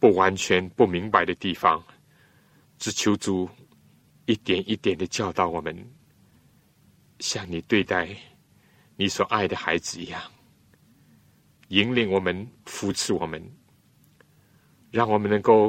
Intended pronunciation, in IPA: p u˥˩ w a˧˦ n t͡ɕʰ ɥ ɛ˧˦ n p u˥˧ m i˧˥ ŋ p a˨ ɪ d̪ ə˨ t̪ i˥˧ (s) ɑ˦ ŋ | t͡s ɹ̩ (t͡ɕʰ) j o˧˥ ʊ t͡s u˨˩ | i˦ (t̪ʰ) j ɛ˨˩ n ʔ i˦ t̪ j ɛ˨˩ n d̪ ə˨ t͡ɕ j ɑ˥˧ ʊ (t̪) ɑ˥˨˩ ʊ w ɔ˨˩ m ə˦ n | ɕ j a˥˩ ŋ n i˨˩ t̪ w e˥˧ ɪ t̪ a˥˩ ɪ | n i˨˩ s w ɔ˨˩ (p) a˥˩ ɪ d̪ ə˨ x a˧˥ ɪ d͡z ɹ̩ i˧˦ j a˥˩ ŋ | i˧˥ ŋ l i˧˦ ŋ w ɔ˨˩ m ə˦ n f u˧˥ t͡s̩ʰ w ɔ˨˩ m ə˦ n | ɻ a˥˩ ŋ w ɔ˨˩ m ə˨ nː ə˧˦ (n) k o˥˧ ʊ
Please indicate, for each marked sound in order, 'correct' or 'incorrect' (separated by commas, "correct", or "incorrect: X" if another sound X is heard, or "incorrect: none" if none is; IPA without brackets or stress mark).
incorrect: f, correct, incorrect: t̪, correct, incorrect: ʔ, incorrect: ŋ